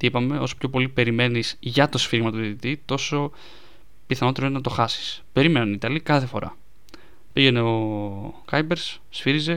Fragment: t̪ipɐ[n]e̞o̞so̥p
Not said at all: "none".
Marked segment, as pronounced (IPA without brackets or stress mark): m